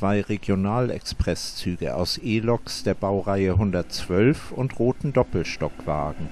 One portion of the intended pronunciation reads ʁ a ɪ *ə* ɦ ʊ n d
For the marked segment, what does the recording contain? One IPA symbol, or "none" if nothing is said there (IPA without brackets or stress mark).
ə